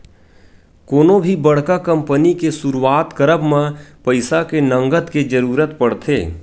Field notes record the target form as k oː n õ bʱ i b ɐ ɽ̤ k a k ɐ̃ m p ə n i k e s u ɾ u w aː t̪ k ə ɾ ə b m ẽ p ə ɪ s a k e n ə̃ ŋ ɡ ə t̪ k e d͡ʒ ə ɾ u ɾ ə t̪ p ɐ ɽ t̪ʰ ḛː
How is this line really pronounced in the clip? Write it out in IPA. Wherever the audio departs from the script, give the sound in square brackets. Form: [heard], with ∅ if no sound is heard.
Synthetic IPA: k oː n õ bʱ i b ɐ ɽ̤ k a k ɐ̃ m p ə n i k e s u ɾ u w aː t̪ k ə ɾ ə b m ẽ p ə ɪ s a k e n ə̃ ŋ ɡ ə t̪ k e d͡ʒ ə ɾ [uː] ɾ ə t̪ p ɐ ɽ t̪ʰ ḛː